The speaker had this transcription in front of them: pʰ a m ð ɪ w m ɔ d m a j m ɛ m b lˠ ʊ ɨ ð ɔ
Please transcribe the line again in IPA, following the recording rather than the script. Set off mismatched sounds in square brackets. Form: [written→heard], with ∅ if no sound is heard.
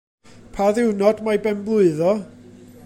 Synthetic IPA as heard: pʰ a [m→∅] ð ɪ w [m→n] ɔ d m a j [m→b] ɛ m b lˠ ʊ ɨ ð ɔ